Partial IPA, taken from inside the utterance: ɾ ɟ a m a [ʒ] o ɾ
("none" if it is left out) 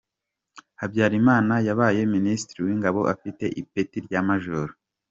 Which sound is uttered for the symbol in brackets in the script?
ʒ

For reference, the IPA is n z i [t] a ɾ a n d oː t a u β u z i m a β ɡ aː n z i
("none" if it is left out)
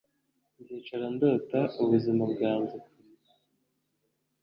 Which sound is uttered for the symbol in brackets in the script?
t͡ʃ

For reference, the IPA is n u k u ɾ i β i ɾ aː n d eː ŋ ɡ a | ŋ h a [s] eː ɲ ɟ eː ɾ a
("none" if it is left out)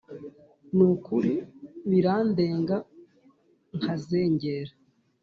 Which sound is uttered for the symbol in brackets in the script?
z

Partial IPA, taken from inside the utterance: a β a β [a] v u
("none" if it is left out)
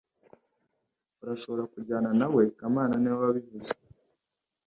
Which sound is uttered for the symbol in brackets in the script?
i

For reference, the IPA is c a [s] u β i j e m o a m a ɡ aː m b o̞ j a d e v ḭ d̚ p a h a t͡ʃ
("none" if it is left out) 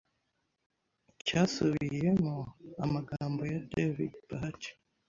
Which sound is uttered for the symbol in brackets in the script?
s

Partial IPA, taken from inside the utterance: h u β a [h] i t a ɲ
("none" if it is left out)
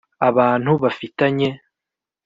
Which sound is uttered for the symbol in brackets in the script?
f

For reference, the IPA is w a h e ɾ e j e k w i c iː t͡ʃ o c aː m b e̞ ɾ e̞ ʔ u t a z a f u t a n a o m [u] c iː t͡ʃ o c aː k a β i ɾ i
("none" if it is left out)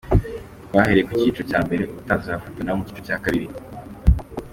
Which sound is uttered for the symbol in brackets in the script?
u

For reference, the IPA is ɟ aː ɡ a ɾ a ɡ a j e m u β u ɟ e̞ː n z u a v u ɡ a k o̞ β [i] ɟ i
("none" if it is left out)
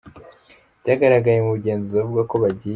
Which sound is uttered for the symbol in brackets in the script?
a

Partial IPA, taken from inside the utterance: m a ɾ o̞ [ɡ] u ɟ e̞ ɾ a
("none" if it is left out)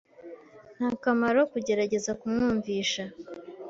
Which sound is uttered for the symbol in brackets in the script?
k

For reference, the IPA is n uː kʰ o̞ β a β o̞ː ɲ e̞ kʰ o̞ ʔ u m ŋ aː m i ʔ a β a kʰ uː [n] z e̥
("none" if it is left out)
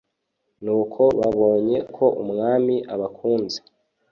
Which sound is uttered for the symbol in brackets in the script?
n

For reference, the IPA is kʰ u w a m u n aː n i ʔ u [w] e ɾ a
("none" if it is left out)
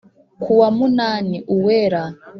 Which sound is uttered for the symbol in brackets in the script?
w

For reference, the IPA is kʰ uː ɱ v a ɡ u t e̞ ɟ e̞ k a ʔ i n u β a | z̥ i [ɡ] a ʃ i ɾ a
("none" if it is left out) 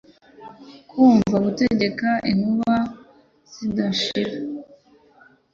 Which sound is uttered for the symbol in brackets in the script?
d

